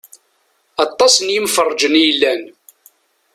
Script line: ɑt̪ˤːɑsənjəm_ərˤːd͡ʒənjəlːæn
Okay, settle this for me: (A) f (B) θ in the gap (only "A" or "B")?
A